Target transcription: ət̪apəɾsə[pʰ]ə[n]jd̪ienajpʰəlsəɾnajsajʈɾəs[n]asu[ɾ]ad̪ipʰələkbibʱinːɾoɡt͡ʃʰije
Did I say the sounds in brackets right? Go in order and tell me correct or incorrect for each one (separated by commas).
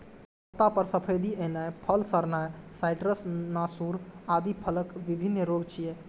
correct, incorrect, correct, correct